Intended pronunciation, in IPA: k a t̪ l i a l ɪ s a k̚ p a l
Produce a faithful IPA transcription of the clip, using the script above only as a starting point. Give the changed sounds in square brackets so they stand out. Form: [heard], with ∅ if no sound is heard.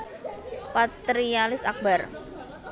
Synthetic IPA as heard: [p] a t̪ [ɾ] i a l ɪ s a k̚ [b] a [r]